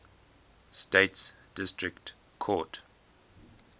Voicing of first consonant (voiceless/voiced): voiceless